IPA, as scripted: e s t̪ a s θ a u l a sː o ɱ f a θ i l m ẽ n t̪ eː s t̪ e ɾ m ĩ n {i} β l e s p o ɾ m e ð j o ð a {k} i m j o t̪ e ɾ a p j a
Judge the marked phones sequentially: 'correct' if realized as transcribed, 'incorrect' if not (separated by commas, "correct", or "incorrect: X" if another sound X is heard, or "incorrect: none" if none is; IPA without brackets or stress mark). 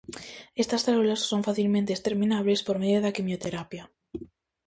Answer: incorrect: a, correct